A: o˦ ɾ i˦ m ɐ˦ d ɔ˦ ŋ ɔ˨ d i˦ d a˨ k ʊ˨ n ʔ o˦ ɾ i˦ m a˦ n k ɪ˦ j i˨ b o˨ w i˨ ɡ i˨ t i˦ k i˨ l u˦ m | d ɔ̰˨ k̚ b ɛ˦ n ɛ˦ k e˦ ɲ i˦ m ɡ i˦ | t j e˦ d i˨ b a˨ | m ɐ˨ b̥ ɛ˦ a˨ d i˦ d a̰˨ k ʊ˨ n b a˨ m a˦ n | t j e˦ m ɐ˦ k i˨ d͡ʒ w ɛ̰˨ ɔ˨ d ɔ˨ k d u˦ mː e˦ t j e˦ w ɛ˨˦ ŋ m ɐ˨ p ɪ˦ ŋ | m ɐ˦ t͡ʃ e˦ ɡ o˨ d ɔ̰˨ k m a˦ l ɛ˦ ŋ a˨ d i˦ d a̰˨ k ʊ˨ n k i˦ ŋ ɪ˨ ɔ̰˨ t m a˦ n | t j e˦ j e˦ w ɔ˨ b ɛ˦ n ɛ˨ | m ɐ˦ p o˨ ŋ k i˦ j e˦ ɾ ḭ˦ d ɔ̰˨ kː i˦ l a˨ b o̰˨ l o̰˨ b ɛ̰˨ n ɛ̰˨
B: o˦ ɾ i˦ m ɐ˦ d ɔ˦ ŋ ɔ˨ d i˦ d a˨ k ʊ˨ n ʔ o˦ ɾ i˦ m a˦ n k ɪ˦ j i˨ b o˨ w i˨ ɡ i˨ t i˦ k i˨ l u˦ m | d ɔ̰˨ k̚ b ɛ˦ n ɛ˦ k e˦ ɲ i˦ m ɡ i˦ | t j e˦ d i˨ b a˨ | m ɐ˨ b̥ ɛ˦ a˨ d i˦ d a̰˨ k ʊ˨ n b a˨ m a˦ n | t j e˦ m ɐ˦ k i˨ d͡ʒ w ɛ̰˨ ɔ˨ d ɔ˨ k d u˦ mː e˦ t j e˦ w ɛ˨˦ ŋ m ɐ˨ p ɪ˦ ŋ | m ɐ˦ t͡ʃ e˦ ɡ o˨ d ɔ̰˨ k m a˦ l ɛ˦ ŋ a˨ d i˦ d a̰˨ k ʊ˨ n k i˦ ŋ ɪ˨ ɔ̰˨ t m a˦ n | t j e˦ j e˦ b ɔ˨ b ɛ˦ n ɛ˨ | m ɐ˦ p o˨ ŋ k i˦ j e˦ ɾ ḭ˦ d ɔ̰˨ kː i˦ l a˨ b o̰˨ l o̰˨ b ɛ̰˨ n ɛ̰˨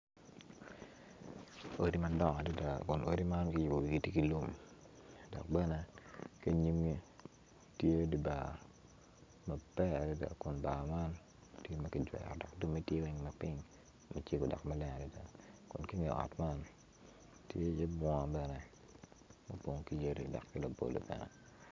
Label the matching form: B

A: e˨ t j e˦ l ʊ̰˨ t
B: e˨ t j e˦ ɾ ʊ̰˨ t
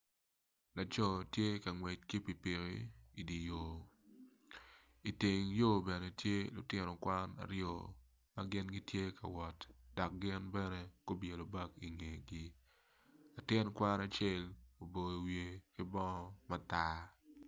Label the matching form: A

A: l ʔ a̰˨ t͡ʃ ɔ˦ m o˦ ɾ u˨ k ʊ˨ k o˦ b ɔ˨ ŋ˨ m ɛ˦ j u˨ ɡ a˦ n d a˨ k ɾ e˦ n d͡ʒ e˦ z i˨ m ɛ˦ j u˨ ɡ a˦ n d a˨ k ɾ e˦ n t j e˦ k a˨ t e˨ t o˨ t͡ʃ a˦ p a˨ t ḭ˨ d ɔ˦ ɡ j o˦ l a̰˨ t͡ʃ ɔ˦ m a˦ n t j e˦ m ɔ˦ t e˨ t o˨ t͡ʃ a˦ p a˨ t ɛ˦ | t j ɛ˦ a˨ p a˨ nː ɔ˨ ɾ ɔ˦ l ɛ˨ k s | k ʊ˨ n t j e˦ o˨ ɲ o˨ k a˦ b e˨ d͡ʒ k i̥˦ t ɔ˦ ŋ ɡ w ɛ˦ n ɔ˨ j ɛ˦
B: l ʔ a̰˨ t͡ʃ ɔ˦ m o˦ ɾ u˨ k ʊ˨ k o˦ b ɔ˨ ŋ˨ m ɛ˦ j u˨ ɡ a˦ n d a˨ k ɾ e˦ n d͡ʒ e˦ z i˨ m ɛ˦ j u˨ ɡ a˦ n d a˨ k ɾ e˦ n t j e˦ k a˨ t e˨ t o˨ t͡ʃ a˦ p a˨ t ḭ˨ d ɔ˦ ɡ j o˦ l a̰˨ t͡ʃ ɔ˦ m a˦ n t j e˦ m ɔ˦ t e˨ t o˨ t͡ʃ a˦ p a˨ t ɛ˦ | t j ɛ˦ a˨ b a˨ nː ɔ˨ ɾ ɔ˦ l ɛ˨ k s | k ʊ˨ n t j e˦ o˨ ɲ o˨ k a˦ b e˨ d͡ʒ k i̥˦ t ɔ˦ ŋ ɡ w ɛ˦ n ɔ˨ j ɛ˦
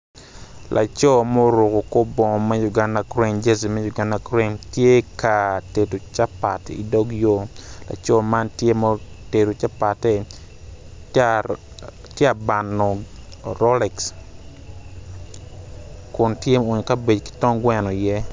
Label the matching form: B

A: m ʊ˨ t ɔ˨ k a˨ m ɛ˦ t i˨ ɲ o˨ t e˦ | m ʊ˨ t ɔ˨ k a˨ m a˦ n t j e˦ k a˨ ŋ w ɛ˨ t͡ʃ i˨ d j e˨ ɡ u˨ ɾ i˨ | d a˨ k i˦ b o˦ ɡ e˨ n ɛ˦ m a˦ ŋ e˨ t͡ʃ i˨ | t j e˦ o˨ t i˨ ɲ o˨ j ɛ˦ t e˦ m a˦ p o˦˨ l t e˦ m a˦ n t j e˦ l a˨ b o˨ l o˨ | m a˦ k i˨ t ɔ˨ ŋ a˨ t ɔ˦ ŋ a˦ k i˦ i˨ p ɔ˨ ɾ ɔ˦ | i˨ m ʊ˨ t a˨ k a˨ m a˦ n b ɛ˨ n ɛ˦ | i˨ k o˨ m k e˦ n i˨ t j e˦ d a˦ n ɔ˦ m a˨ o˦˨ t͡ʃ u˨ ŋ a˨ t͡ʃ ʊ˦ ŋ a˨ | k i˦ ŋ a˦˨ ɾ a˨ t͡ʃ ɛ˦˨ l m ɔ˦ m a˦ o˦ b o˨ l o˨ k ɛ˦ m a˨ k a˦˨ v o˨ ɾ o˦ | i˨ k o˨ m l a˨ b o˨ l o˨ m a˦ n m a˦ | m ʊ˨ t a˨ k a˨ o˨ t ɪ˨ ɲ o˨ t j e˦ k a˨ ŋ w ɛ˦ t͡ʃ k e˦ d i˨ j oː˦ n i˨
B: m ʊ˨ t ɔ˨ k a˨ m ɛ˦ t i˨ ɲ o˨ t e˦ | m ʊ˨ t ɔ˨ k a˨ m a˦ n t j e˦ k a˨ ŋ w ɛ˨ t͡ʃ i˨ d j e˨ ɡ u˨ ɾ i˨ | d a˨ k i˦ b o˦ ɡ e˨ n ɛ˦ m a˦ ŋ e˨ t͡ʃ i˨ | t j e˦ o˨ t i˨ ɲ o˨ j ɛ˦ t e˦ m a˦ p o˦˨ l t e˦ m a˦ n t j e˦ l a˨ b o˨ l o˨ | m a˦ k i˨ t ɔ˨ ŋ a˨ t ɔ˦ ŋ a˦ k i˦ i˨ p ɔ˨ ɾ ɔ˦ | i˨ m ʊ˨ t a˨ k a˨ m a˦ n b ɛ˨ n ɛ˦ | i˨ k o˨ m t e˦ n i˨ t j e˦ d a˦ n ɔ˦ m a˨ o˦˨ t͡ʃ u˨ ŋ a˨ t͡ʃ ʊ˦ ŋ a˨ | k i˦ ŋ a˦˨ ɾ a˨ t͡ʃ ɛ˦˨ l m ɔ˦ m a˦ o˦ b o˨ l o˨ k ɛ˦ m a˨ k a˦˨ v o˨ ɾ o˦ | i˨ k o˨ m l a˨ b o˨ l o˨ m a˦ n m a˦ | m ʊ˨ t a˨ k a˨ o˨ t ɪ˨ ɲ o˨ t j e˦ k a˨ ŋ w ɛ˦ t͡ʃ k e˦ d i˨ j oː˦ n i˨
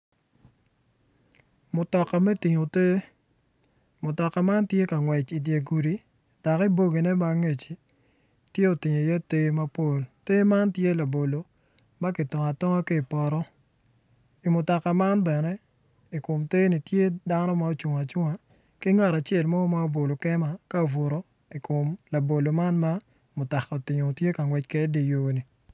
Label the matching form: B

